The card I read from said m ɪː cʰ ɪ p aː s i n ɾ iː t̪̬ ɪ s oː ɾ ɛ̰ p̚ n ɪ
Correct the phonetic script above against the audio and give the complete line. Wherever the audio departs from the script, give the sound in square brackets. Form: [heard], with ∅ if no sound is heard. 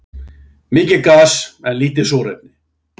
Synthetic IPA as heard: m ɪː [c] ɪ [k] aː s [ɛ] n [l] iː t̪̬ ɪ s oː ɾ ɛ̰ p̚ n ɪ

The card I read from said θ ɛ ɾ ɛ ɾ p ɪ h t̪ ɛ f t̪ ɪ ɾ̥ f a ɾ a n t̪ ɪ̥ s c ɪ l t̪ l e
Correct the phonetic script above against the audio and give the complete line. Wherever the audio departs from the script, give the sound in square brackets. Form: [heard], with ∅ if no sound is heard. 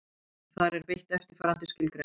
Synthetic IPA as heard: θ [a] ɾ ɛ ɾ p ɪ h t̪ ɛ f t̪ ɪ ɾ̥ f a ɾ a n t̪ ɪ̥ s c ɪ l t̪ [ɾ] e

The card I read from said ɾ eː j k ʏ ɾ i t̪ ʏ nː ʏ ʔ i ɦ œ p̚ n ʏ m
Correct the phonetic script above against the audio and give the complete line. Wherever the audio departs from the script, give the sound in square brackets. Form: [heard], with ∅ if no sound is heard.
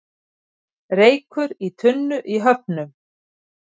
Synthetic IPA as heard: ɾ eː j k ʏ ɾ i [t̪ʰ] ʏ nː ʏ ʔ i ɦ œ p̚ n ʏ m

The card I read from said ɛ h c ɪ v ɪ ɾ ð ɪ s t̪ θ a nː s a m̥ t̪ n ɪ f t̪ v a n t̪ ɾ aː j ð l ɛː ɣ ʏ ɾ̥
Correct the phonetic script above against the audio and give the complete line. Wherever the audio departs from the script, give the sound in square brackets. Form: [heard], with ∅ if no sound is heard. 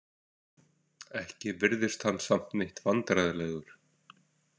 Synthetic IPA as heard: ɛ h c ɪ v ɪ ɾ ð ɪ s t̪ [h] a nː s a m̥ t̪ n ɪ [h] t̪ v a n t̪ ɾ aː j ð l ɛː ɣ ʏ ɾ̥

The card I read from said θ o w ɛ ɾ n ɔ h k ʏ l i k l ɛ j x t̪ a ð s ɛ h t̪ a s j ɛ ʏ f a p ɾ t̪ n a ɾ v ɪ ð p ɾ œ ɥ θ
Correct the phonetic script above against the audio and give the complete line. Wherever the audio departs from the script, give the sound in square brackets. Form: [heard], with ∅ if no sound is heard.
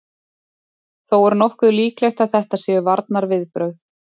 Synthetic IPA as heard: θ o w ɛ ɾ n ɔ h k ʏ l [iː] k l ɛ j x t̪ a ð [θ] ɛ h t̪ a s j ɛ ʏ [v] a [∅] ɾ t̪ n a ɾ v ɪ ð p ɾ œ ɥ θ

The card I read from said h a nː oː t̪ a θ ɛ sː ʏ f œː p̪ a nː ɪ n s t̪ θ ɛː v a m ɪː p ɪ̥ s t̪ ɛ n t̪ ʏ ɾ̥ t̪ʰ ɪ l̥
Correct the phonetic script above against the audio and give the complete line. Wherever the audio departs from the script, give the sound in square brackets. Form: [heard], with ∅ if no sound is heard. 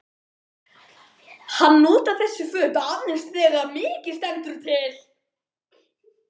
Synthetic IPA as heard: h a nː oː t̪ a θ ɛ sː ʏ f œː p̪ a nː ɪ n s t̪ θ ɛː [ɣ] a m ɪː [c] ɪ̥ s t̪ ɛ n t̪ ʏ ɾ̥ t̪ʰ ɪ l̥

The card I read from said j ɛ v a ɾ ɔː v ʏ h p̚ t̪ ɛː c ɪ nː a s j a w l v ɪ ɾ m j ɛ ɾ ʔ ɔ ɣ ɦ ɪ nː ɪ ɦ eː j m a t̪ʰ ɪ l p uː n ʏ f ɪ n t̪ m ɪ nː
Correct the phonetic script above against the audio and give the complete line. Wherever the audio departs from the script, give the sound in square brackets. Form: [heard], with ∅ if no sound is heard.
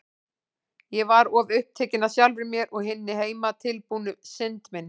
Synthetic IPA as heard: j ɛ v a ɾ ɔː v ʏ h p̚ [t̪ʰ] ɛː c ɪ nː a s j a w l v ɪ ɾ m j ɛ ɾ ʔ ɔ ɣ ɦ ɪ nː ɪ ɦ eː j m a t̪ʰ ɪ l p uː n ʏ [s] ɪ n t̪ m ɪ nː

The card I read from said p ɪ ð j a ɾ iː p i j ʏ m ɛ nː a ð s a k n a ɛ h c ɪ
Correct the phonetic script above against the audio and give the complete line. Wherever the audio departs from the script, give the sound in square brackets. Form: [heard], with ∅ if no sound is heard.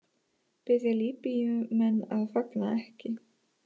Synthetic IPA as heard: p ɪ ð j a [l] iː p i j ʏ m ɛ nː a ð [f] a k n a ɛ h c ɪ

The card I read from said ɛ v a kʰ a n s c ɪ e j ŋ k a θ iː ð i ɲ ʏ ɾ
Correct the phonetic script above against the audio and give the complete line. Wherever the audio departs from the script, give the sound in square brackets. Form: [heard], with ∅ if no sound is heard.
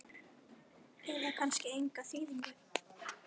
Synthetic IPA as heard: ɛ [ð] a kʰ a n s c ɪ e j ŋ k a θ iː ð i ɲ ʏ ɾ

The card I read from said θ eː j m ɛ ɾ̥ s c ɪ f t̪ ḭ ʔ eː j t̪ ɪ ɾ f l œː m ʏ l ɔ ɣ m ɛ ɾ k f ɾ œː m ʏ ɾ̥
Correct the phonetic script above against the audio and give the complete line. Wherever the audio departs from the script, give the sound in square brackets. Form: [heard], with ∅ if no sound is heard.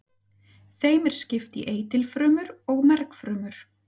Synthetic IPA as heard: θ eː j m ɛ ɾ̥ s c ɪ f t̪ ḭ ʔ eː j t̪ ɪ [l] f [ɾ] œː m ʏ [ɾ] ɔ ɣ m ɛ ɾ k f ɾ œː m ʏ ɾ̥

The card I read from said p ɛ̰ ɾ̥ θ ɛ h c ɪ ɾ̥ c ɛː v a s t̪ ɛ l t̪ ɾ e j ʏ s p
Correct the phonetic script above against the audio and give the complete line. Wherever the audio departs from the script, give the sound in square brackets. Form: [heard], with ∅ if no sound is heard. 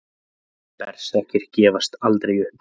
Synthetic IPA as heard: p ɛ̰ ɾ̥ [s] ɛ h c ɪ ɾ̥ c ɛː v a s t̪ [a] l t̪ ɾ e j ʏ [h] p

